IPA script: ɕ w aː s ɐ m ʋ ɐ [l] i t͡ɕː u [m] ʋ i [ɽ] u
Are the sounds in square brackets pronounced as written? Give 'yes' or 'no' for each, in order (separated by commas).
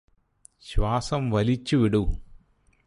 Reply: yes, no, yes